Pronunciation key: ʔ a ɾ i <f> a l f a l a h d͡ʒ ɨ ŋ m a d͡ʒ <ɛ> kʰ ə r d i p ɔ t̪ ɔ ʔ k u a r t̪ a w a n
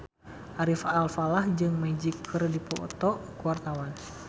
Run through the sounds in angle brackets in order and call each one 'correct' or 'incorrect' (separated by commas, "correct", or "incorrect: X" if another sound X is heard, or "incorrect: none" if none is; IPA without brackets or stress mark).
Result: correct, incorrect: i